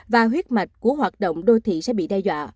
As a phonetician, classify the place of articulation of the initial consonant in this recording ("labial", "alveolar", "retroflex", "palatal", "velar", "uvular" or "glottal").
labial